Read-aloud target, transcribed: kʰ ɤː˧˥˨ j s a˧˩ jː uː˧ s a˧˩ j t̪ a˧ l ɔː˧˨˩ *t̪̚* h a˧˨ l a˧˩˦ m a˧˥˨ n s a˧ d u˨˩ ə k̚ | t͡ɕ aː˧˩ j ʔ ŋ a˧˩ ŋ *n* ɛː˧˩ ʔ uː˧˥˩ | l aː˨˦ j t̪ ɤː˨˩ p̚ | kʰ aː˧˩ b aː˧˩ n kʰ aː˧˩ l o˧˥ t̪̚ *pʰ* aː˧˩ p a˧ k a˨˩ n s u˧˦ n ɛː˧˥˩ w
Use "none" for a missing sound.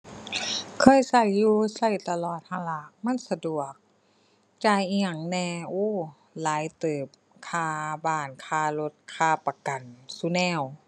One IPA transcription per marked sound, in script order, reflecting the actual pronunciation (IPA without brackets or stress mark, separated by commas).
t̪̚, n, kʰ